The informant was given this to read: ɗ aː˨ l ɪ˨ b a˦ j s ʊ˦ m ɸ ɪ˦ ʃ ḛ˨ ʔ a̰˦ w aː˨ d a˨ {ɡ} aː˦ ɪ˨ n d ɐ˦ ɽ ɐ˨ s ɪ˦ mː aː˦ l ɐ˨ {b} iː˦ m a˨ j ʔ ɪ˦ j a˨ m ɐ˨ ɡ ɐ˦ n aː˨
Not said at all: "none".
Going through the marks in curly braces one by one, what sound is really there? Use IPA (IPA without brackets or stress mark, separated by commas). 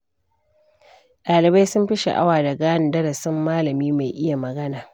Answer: ɡ, m